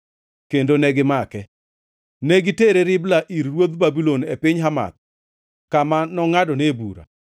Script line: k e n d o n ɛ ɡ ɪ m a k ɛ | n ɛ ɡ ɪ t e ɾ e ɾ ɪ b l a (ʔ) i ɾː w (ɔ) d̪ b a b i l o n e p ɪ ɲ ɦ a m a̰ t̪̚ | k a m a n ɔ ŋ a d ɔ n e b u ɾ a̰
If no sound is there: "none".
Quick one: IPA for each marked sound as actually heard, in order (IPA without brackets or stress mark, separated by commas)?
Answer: ʔ, o